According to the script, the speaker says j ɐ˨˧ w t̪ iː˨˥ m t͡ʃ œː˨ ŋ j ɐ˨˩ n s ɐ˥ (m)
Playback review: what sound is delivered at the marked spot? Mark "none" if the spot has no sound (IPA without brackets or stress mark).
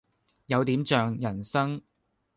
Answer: ŋ